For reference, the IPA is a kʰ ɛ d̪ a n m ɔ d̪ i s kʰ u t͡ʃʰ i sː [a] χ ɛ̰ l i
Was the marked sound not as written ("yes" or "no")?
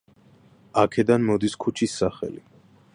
no